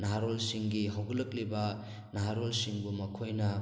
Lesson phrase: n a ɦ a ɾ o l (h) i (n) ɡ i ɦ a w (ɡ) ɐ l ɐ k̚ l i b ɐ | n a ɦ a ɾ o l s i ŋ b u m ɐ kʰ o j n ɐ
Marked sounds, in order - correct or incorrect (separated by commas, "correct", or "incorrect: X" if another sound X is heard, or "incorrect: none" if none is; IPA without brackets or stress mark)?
incorrect: s, incorrect: ŋ, correct